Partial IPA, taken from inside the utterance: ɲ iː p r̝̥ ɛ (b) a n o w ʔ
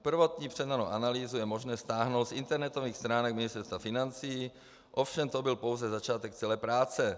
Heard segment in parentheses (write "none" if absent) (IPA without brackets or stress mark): d